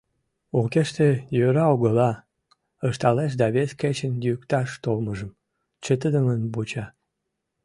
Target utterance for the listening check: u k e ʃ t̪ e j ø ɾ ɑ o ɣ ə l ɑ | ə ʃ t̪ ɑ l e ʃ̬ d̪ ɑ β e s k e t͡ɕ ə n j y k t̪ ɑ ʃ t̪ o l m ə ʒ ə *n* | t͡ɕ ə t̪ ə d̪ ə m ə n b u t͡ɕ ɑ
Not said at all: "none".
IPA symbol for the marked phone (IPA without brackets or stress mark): m